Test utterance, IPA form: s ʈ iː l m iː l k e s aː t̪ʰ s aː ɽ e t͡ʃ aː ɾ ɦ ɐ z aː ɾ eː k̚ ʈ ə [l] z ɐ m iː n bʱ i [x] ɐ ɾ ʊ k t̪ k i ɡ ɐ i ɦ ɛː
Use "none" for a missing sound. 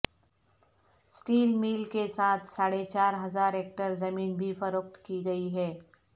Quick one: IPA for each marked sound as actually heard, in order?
ɾ, f

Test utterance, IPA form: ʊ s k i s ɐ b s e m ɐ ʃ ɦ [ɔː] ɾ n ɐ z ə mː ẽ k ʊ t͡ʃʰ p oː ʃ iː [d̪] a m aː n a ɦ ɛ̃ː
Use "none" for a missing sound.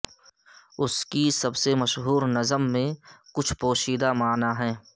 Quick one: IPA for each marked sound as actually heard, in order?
uː, d̪

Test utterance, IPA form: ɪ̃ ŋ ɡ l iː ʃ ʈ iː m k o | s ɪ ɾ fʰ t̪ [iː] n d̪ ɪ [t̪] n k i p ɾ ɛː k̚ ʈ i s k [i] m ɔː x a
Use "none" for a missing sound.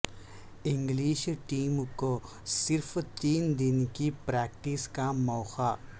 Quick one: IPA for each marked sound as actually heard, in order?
iː, none, a

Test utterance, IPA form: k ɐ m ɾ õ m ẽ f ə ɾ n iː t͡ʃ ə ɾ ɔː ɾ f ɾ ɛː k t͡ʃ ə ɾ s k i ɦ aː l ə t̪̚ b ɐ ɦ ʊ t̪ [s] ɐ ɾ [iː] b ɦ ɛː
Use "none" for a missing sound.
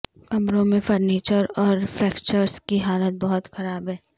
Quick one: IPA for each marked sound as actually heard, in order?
x, aː

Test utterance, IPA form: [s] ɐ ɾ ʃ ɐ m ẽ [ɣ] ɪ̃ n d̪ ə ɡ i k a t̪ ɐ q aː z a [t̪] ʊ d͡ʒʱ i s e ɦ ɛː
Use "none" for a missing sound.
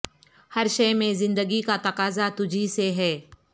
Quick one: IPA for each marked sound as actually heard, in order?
h, z, t̪

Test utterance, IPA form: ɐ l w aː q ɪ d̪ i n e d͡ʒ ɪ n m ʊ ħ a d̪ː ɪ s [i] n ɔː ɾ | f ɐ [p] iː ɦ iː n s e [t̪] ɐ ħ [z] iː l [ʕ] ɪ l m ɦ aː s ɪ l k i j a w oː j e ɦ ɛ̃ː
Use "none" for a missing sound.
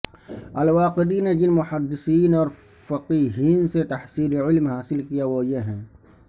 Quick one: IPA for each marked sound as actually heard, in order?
iː, q, t̪, s, ʕ

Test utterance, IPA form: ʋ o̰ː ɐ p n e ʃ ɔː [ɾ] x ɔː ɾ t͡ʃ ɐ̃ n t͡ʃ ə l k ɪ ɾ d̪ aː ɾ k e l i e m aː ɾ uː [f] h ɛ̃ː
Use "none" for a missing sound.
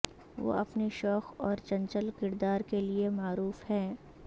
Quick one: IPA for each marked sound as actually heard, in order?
none, f

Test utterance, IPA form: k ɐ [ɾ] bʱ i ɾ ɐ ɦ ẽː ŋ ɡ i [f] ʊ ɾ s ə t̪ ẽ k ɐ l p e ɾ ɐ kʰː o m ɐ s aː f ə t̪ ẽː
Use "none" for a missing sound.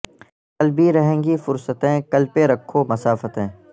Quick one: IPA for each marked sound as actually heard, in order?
l, f

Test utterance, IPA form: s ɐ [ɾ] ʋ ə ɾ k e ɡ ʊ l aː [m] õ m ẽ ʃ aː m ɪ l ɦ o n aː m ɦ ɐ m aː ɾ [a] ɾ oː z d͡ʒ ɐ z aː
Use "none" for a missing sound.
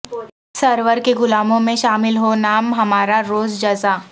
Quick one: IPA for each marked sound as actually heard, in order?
ɾ, m, a

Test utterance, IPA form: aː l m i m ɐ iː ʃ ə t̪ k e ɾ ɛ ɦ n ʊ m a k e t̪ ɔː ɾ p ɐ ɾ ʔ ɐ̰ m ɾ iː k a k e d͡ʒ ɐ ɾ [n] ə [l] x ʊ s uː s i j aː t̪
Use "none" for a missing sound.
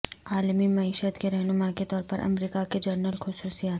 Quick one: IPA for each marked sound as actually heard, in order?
n, l

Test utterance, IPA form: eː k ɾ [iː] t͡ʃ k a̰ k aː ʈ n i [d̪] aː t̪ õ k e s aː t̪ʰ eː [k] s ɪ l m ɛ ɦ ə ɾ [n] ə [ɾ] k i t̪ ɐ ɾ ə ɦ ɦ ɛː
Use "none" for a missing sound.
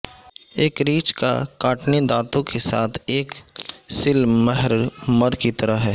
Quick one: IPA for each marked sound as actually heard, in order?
iː, d̪, k, m, ɾ

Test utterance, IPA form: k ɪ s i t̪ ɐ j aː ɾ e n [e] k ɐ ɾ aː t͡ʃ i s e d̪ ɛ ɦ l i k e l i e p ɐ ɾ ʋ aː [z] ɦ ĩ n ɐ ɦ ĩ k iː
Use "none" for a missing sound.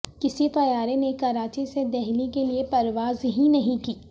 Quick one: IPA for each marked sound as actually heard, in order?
e, z

